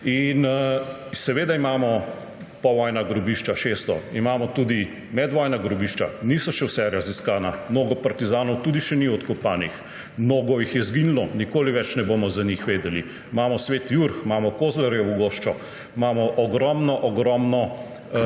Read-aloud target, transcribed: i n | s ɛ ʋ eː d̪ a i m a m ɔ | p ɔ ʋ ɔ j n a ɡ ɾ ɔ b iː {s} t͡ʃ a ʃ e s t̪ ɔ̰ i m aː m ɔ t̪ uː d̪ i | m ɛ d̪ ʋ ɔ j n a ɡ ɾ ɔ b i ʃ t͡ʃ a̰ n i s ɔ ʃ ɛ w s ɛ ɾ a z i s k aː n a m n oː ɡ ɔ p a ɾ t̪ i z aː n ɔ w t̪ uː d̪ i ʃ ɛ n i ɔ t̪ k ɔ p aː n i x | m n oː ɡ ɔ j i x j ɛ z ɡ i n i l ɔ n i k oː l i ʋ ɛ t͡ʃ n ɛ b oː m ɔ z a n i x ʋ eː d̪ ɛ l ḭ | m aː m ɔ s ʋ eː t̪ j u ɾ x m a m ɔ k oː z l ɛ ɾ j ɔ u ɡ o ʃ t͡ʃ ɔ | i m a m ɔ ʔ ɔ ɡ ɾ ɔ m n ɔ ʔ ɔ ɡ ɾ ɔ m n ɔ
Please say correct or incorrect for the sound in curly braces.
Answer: incorrect